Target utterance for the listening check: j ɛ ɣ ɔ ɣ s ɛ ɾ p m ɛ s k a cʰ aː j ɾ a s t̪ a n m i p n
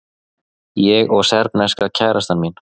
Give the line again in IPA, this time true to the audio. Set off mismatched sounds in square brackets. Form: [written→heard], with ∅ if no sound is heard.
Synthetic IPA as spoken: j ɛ ɣ ɔ ɣ s ɛ ɾ p [m→n] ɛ s k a cʰ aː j ɾ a s t̪ a n m i [p→∅] n